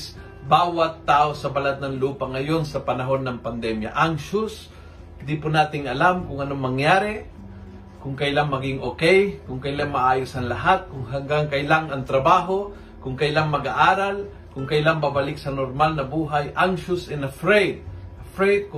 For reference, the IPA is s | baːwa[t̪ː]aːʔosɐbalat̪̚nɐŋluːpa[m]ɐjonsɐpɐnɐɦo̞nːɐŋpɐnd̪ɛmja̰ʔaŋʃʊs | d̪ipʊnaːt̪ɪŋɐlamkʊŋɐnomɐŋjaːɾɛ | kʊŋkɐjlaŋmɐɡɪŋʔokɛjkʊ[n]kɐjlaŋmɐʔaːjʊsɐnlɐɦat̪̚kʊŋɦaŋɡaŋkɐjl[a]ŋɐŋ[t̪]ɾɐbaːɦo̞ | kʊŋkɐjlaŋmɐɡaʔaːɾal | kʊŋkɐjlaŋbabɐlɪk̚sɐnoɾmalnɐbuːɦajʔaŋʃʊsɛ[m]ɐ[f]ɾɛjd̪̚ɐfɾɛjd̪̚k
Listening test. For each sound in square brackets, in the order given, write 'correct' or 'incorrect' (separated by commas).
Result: correct, incorrect, incorrect, correct, correct, incorrect, correct